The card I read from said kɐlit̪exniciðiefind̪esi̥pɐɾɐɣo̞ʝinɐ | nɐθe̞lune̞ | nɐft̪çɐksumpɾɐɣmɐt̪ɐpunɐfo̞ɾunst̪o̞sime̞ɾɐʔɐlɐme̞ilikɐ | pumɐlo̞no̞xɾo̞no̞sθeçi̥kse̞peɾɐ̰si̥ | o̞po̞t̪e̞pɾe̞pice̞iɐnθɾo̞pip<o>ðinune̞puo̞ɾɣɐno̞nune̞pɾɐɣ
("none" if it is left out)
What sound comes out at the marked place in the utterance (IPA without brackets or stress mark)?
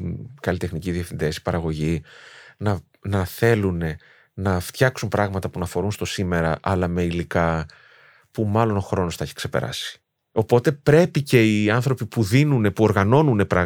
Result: u